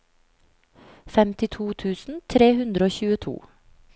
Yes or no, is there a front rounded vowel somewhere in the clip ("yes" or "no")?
no